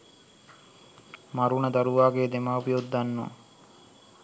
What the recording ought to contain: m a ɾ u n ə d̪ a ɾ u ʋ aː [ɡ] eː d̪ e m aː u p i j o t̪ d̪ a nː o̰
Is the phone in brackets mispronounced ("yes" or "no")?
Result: no